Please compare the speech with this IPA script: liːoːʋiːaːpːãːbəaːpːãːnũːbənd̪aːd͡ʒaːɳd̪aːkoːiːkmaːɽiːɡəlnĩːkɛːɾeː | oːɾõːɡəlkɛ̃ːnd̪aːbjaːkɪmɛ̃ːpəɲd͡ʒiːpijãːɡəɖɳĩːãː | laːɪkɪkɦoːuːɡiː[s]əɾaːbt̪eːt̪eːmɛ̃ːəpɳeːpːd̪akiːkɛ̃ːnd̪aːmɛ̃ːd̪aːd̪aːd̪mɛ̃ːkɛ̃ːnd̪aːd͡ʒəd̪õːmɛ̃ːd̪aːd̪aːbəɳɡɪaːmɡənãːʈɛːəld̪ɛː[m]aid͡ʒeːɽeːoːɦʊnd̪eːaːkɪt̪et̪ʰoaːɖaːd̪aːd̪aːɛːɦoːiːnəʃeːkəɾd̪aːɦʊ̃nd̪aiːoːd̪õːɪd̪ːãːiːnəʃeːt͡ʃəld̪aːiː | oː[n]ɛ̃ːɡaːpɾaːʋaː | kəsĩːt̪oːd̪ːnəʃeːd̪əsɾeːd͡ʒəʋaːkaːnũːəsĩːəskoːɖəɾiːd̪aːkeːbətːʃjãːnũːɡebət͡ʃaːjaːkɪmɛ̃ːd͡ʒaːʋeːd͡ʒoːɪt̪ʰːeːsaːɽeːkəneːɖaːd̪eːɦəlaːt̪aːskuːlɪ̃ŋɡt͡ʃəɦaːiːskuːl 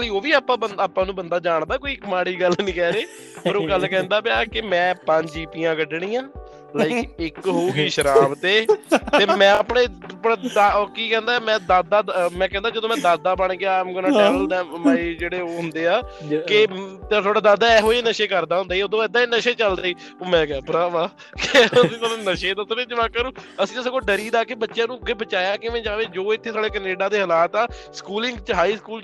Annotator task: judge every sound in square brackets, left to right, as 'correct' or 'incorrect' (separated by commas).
incorrect, correct, incorrect